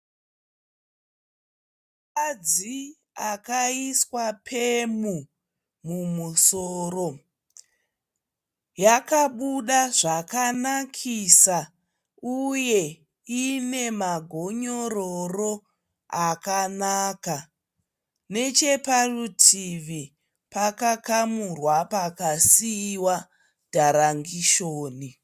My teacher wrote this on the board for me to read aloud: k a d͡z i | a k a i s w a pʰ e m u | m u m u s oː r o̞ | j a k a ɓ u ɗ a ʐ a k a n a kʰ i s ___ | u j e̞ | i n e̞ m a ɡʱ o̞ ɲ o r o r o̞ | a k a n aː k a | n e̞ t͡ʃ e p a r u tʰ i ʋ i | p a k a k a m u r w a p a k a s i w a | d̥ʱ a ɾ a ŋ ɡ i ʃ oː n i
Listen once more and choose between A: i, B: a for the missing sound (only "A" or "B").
B